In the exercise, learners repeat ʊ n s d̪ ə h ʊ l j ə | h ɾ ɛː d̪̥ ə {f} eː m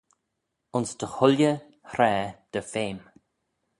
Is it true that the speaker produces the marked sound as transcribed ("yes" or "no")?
yes